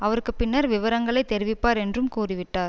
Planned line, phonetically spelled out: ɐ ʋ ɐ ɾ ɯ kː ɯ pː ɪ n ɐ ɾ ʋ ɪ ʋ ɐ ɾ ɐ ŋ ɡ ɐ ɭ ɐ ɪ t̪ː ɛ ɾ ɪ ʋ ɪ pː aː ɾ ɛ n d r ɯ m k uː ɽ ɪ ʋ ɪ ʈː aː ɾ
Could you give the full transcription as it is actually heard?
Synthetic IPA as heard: ɐ ʋ ɐ ɾ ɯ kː ɯ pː ɪ nː ɐ ɾ ʋ ɪ ʋ ɐ ɾ ɐ ŋ ɡ ɐ ɭ ɐ ɪ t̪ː ɛ ɾ ɪ ʋ ɪ pː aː ɾ ɛ n d r ɯ m k uː r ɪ ʋ ɪ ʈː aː ɾ